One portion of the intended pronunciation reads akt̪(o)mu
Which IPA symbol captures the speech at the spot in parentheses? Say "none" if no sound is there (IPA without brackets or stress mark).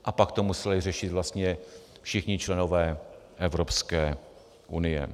o